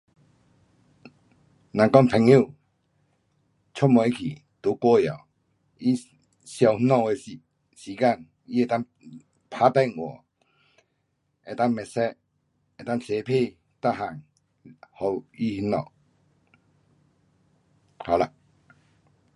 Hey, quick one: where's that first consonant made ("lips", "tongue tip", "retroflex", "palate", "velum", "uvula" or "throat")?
tongue tip